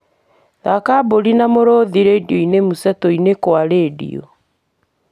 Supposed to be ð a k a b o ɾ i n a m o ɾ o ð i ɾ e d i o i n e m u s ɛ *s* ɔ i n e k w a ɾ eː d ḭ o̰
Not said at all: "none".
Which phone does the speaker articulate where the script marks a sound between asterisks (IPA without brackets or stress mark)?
t